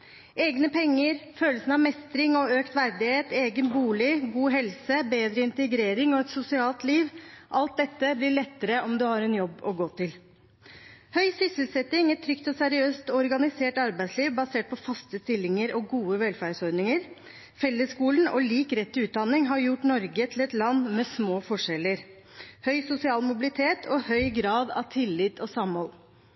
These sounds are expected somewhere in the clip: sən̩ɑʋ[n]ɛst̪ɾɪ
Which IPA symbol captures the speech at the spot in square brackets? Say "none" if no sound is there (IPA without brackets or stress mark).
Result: m